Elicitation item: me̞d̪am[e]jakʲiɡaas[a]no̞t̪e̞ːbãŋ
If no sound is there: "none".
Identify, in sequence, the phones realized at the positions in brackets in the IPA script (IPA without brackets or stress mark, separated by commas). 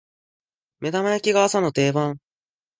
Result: a, a